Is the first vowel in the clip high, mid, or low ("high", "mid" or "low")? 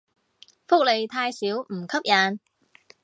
high